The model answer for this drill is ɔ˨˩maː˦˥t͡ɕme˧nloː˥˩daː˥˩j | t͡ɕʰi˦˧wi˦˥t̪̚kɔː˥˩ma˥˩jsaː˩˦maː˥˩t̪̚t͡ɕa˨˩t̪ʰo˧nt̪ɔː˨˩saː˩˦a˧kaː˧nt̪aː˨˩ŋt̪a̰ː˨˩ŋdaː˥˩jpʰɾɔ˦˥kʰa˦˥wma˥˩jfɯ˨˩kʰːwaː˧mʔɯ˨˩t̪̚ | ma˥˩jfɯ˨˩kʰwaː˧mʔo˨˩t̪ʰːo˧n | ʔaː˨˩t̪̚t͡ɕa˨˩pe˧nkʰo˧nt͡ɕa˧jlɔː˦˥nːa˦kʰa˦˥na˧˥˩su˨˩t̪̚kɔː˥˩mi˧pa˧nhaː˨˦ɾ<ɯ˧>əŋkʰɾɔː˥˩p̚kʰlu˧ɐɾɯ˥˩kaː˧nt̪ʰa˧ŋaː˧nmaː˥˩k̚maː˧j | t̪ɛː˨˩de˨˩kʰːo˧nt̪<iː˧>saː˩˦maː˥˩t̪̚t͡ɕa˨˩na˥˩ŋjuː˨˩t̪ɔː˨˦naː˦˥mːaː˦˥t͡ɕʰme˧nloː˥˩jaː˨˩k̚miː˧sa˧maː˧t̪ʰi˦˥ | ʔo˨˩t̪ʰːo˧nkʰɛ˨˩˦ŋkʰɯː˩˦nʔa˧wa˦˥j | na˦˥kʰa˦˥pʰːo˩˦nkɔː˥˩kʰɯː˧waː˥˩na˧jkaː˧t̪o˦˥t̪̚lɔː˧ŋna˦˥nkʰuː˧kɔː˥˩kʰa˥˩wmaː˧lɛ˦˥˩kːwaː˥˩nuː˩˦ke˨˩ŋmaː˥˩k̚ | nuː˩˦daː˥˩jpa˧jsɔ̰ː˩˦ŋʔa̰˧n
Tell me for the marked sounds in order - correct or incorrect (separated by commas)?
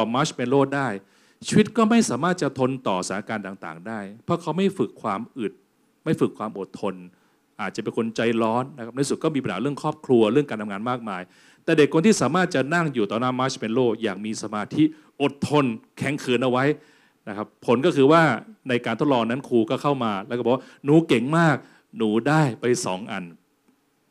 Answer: incorrect, incorrect